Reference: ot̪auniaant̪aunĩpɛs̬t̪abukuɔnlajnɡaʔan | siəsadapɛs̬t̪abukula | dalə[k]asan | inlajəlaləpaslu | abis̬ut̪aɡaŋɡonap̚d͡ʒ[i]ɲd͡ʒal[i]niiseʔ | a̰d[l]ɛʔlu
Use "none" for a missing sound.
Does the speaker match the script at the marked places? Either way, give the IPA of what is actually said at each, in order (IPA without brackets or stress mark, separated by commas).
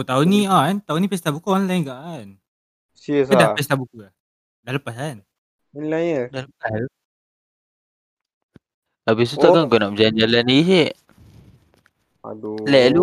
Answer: p, a, a, l